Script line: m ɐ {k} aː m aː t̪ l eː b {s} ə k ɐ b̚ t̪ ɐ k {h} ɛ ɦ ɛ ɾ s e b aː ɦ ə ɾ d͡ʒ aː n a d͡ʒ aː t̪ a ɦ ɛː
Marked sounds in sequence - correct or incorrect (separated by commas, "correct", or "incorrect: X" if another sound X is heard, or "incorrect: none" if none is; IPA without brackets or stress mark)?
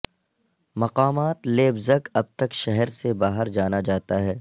incorrect: q, incorrect: z, incorrect: ʃ